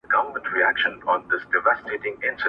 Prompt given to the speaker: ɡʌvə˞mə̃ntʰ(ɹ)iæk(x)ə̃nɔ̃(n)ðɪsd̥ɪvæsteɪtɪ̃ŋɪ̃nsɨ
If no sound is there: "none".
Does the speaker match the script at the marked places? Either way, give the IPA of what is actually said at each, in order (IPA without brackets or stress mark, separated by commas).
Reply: ɹ, ʃ, n